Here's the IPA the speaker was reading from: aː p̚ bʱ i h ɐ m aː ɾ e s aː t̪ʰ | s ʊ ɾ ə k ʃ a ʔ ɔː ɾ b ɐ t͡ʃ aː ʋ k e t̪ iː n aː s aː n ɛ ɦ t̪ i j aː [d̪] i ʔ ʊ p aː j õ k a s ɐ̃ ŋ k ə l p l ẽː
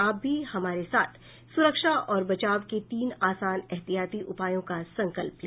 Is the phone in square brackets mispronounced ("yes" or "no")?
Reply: yes